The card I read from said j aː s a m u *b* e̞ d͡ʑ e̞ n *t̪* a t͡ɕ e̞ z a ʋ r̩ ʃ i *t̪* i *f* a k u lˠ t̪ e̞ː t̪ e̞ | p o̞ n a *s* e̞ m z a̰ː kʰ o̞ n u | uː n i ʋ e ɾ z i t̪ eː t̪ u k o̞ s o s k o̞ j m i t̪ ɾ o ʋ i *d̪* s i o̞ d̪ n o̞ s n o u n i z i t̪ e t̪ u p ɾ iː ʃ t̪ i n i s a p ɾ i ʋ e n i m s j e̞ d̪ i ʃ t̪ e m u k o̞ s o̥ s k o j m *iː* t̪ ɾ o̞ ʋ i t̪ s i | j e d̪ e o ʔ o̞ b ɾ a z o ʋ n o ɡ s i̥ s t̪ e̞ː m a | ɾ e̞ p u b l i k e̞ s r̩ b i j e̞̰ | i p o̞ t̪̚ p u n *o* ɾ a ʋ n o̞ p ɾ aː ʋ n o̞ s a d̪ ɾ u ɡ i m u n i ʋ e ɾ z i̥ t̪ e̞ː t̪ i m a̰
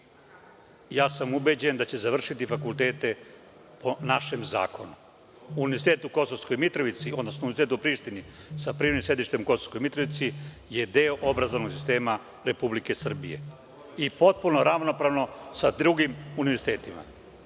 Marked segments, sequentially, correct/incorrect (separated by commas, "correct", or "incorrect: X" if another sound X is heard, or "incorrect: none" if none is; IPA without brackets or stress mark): correct, incorrect: d̪, correct, correct, incorrect: ʃ, incorrect: t̪, incorrect: i, correct